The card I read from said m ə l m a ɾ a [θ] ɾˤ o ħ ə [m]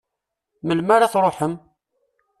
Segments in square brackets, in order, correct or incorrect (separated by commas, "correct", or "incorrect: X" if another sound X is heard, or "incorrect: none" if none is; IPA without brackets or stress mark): correct, correct